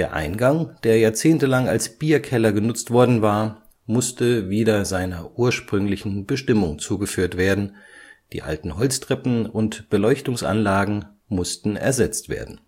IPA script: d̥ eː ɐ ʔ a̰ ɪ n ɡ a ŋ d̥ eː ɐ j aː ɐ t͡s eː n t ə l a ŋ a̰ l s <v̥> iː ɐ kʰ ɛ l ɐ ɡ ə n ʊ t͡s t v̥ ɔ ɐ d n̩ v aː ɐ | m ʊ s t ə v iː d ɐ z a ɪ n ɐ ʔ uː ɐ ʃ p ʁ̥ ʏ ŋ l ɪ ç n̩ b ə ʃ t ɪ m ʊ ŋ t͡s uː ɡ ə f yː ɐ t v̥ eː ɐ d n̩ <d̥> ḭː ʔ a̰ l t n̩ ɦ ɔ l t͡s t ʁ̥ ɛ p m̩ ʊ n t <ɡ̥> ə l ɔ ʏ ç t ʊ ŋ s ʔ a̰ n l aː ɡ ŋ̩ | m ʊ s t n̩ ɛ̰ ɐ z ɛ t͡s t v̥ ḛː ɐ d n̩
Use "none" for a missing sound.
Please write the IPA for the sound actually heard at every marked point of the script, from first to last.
b̥, d̥, b̥

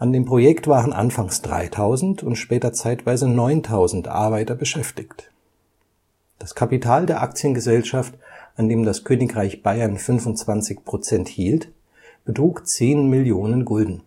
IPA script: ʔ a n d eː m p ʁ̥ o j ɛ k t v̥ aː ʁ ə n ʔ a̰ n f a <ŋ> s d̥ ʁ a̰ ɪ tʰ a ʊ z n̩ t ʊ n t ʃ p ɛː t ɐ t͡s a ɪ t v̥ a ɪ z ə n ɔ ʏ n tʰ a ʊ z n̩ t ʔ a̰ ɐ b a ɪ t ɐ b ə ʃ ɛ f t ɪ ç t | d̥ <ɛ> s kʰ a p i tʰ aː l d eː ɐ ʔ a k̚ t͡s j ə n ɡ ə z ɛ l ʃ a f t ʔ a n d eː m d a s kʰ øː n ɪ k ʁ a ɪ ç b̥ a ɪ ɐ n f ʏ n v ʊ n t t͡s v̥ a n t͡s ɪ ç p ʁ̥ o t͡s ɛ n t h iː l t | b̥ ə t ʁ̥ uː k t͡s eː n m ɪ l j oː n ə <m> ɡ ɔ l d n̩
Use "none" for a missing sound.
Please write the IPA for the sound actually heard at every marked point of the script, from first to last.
ŋ, a, n

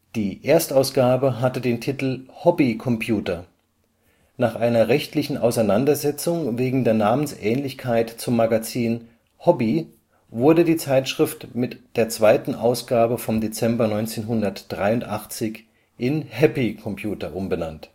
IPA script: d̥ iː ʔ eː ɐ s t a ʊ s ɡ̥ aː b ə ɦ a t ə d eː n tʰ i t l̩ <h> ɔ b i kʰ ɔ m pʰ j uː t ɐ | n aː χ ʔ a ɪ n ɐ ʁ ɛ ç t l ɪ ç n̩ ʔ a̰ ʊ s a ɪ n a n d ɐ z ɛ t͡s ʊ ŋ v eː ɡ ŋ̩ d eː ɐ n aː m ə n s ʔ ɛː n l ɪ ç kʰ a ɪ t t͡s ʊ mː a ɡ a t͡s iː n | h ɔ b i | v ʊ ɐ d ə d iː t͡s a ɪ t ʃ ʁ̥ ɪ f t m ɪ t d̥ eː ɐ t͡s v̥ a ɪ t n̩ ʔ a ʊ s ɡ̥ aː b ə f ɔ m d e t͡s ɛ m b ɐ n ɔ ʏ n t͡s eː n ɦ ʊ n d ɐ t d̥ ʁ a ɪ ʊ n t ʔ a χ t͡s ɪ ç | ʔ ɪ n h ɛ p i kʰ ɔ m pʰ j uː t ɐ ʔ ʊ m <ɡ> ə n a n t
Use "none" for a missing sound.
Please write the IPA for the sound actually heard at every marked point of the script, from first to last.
h, b

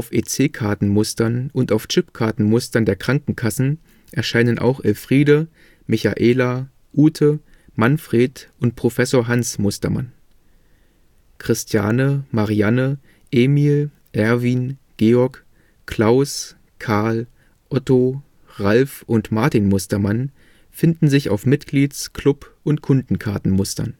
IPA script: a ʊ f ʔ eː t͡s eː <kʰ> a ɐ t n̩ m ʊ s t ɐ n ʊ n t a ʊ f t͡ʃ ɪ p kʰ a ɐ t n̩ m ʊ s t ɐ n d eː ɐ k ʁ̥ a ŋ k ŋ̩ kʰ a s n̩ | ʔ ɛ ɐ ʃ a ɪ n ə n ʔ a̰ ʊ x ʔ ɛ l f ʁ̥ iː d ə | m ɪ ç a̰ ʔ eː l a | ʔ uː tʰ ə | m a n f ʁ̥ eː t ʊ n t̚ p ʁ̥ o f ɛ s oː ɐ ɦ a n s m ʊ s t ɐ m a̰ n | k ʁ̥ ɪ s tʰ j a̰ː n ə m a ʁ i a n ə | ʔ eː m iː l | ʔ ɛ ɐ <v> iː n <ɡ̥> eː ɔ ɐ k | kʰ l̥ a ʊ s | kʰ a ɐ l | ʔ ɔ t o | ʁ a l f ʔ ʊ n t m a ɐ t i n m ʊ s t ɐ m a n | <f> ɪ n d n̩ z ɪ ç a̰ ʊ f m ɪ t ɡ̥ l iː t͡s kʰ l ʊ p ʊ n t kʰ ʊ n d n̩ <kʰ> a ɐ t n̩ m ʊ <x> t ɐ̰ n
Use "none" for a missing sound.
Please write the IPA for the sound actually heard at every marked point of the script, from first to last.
kʰ, v, ɡ̥, f, kʰ, s

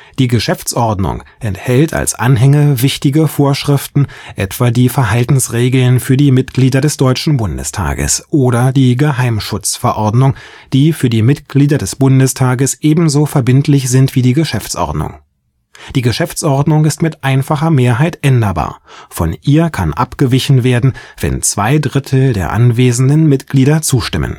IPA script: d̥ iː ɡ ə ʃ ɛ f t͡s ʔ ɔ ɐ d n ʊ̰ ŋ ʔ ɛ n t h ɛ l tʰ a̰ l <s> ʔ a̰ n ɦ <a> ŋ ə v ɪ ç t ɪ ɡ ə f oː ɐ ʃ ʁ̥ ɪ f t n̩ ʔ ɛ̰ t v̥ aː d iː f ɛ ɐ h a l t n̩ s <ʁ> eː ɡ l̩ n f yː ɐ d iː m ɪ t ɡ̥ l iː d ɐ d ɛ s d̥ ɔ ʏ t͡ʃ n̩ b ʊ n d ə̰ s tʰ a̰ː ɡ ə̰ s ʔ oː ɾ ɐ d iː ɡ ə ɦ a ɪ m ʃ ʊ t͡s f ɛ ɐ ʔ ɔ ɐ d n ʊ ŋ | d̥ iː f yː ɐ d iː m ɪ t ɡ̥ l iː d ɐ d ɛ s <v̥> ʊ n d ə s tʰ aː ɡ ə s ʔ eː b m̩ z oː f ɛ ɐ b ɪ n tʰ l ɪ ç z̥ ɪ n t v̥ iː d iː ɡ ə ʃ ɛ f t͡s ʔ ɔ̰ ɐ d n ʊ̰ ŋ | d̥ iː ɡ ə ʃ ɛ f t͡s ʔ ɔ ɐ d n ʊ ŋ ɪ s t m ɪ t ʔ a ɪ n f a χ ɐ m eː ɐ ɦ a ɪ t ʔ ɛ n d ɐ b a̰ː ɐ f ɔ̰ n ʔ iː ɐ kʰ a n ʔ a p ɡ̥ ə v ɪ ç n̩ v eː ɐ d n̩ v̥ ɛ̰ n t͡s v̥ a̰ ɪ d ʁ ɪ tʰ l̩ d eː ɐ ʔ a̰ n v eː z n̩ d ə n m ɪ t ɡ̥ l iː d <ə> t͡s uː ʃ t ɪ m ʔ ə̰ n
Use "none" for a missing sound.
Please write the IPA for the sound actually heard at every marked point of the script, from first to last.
s, ɛ, ʁ, b̥, ɐ

